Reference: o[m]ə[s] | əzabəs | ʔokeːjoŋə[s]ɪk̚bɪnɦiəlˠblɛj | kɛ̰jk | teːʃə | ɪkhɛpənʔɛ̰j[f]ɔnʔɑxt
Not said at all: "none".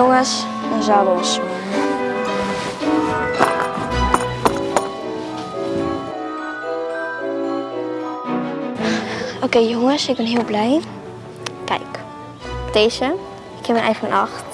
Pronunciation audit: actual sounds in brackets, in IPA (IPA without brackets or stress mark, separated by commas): ŋ, s, s, f